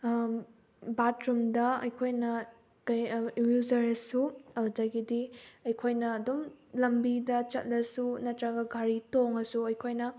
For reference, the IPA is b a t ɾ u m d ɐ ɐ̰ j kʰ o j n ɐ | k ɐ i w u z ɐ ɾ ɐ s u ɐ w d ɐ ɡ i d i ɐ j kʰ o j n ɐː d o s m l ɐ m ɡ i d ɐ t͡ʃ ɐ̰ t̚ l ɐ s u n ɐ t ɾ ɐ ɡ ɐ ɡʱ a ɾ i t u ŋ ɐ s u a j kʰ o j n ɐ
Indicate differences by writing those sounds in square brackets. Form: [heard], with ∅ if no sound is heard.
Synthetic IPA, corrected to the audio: b a t ɾ u m d ɐ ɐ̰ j kʰ o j n ɐ | k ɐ [j] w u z ɐ ɾ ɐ s u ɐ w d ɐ ɡ i d i ɐ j kʰ o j n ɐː d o [∅] m l ɐ m [b] i d ɐ t͡ʃ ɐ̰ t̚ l ɐ s u n ɐ t ɾ ɐ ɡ ɐ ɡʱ a ɾ i t [o] ŋ ɐ s u [ɐ] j kʰ o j n ɐ